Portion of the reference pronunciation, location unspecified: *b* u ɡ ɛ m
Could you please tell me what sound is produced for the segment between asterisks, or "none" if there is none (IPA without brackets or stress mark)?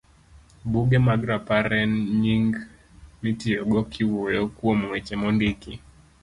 b